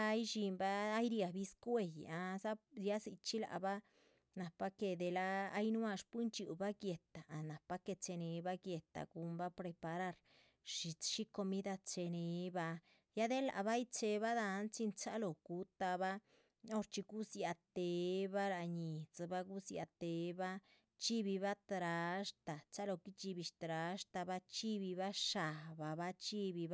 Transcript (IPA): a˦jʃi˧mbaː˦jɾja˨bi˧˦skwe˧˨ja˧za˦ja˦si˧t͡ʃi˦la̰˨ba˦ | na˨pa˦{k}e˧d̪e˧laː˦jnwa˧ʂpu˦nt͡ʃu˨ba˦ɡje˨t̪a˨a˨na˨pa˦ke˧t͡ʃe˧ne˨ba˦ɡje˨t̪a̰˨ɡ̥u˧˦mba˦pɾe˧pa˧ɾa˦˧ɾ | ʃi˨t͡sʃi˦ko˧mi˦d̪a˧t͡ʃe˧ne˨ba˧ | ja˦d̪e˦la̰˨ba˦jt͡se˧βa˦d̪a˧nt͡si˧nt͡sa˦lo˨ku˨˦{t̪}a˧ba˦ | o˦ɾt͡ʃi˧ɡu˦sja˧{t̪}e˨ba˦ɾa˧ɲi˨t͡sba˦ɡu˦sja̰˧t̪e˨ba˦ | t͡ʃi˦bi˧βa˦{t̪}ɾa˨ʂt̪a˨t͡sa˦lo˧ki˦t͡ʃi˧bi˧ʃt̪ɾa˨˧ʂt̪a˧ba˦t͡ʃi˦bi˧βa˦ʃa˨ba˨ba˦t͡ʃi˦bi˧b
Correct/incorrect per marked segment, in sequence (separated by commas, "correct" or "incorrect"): correct, correct, correct, correct